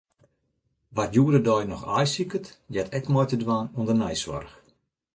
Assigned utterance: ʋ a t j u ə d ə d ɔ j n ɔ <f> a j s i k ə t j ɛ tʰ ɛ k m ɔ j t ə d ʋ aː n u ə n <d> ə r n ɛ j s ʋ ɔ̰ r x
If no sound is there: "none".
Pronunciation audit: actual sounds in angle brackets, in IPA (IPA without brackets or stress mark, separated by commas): x, d